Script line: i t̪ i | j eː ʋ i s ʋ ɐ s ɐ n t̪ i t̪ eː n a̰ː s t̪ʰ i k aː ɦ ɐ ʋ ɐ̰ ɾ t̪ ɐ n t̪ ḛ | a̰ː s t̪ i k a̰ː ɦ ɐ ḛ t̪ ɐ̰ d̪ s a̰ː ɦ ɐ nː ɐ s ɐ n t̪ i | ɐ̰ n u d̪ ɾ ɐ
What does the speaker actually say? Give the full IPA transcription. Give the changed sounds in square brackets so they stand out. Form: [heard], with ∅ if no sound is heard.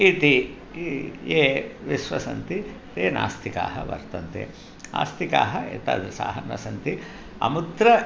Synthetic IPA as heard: i t̪ i | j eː ʋ i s ʋ ɐ s ɐ n t̪ i t̪ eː n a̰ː s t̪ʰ i k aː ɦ ɐ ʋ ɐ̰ ɾ t̪ ɐ n t̪ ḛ | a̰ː s t̪ i k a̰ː ɦ ɐ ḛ t̪ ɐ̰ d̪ s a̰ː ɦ ɐ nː ɐ s ɐ n t̪ i | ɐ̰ [m] u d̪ ɾ ɐ

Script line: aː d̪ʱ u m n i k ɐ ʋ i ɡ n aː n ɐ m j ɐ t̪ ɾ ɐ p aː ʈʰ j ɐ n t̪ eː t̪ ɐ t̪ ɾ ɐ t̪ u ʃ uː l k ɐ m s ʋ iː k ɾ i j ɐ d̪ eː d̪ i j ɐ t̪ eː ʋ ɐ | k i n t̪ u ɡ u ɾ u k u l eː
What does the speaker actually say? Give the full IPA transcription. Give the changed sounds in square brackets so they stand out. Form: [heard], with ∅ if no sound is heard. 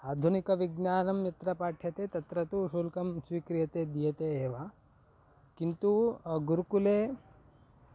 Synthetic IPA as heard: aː d̪ʱ u [∅] n i k ɐ ʋ i ɡ n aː n ɐ m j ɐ t̪ ɾ ɐ p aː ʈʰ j ɐ [∅] t̪ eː t̪ ɐ t̪ ɾ ɐ t̪ u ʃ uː l k ɐ m s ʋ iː k ɾ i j ɐ [t̪] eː d̪ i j ɐ t̪ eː ʋ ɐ | k i n t̪ u ɡ u ɾ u k u l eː

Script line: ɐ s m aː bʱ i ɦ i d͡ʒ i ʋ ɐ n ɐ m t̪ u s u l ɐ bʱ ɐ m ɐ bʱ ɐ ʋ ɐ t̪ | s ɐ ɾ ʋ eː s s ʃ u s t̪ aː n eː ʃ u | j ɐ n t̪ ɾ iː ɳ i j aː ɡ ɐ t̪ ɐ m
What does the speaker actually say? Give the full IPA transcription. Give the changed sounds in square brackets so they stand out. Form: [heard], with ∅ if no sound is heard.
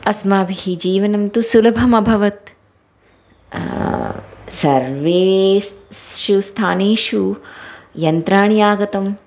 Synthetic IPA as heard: ɐ s m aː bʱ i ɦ i d͡ʒ [iː] ʋ ɐ n ɐ m t̪ u s u l ɐ bʱ ɐ m ɐ bʱ ɐ ʋ ɐ t̪ | s ɐ ɾ ʋ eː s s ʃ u s [t̪ʰ] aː n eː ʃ u | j ɐ n t̪ ɾ [aː] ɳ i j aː ɡ ɐ t̪ ɐ m

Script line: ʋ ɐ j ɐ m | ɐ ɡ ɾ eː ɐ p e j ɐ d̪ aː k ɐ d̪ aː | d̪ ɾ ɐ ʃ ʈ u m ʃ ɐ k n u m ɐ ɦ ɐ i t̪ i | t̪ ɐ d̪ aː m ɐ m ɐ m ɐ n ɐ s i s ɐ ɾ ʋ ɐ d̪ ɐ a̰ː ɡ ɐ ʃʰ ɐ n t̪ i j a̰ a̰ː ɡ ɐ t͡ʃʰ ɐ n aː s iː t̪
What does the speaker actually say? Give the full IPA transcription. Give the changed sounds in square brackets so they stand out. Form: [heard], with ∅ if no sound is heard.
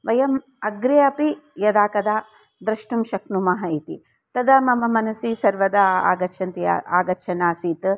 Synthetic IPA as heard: ʋ ɐ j ɐ m | ɐ ɡ ɾ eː ɐ p [i] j ɐ d̪ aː k ɐ d̪ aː | d̪ ɾ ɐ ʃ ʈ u m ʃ ɐ k n u m ɐ ɦ ɐ i t̪ i | t̪ ɐ d̪ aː m ɐ m ɐ m ɐ n ɐ s i s ɐ ɾ ʋ ɐ d̪ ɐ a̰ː ɡ ɐ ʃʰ ɐ n t̪ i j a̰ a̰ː ɡ ɐ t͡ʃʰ ɐ n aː s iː t̪

